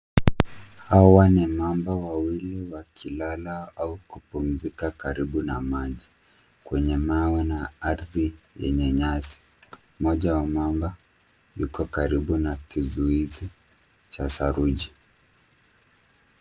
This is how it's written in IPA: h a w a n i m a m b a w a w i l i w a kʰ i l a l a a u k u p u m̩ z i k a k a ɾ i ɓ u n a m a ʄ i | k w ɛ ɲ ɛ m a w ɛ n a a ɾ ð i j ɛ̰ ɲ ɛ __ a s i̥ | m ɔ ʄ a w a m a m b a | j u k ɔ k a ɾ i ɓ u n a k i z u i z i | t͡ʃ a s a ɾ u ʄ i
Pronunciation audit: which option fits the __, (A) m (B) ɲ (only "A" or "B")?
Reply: B